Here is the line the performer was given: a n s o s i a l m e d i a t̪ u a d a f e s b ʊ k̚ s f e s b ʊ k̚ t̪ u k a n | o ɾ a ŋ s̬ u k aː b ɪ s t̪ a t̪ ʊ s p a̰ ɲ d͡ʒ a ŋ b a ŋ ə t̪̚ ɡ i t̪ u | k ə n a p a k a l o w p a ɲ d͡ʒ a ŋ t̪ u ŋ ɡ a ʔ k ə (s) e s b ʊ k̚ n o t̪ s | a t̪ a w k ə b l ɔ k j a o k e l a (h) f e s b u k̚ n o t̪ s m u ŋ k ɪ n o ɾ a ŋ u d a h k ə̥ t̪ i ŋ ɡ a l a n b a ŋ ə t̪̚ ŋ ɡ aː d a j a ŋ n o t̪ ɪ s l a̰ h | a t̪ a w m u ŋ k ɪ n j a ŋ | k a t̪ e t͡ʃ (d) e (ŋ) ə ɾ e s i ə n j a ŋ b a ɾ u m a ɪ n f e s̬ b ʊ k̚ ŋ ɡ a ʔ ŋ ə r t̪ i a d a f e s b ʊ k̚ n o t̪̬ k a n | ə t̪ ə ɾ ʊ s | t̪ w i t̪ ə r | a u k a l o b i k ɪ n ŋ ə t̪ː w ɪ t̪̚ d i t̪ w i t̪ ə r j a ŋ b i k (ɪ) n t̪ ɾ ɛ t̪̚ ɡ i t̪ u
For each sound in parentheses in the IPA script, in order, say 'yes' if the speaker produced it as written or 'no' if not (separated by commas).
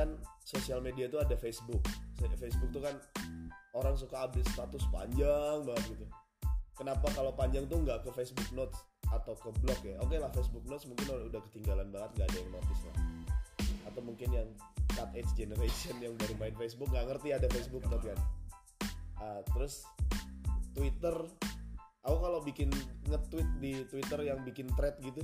no, yes, no, no, yes